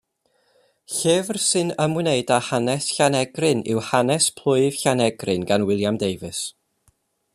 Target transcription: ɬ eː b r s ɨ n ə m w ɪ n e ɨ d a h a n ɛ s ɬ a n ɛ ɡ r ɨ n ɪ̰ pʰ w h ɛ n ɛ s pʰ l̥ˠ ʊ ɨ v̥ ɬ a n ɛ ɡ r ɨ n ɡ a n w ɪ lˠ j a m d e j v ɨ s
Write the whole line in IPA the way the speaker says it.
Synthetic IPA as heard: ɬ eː v r s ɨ n ə m w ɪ n e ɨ d a h a n ɛ s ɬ a n ɛ ɡ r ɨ n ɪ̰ w h a n ɛ s pʰ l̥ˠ ʊ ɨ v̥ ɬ a n ɛ ɡ r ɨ n ɡ a n w ɪ lˠ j a m d e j v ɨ s